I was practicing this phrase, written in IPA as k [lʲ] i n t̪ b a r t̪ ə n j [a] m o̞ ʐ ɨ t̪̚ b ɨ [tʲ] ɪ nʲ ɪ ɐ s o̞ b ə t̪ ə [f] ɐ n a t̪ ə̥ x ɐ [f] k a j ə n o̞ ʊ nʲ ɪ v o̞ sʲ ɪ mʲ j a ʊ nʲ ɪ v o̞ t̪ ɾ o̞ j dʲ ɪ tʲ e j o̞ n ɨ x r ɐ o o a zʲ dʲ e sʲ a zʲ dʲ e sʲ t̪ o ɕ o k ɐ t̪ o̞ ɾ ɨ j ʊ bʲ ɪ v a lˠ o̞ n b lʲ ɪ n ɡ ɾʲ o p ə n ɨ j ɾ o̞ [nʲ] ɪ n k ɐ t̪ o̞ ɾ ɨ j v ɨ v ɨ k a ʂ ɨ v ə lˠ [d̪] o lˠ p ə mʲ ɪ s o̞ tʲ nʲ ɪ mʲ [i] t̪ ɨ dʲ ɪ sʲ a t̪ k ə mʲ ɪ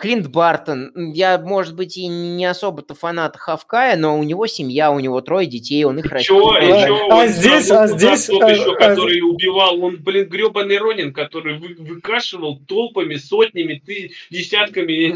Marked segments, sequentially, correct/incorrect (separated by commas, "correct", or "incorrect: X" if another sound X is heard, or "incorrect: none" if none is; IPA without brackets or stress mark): correct, correct, correct, correct, correct, correct, incorrect: t̪, incorrect: ɪ